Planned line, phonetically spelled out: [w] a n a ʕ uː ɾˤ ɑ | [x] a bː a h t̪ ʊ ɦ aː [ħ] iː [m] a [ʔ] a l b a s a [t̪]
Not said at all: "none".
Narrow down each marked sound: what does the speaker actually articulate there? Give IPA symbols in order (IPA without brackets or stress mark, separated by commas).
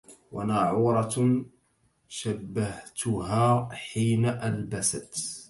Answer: w, ʃ, ħ, n, ʔ, t̪